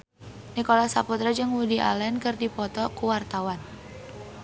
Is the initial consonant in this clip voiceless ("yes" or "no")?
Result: no